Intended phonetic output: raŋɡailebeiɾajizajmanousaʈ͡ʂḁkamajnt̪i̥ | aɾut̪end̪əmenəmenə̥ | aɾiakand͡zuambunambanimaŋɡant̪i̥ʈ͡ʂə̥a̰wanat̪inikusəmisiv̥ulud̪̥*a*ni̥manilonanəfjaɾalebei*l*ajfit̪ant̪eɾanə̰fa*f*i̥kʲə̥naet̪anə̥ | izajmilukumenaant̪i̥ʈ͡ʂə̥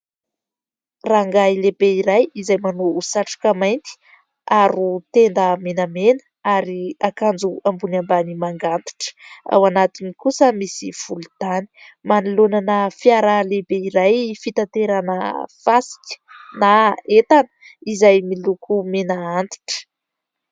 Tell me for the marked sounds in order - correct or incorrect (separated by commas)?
correct, incorrect, incorrect